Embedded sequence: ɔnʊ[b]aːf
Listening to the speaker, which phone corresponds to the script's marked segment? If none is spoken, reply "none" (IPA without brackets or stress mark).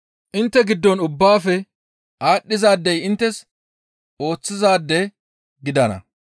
bː